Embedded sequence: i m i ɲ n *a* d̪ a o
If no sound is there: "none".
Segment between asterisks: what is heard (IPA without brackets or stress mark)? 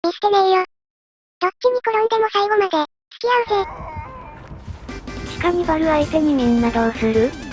a